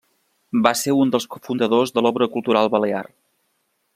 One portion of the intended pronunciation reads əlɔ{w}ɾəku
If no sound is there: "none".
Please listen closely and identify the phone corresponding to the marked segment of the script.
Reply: β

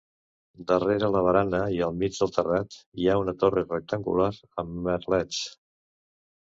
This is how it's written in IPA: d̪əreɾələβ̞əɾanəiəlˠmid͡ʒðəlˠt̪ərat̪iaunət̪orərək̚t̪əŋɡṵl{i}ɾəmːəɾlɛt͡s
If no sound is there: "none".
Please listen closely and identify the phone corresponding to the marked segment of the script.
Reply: a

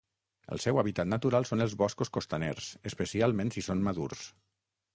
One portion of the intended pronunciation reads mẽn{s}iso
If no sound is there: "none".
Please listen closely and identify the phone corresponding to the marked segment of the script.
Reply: s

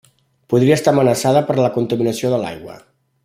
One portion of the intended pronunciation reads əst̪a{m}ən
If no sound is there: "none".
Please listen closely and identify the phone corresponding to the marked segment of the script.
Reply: m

